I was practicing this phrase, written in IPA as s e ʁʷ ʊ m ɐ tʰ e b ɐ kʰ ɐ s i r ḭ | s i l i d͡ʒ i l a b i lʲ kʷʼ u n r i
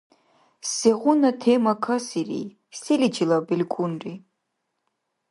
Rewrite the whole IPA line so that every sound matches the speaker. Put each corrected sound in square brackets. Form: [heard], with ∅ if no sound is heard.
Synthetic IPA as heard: s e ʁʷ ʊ [n] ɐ tʰ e [m] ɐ kʰ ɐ s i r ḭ | s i l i d͡ʒ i l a b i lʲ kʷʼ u n r i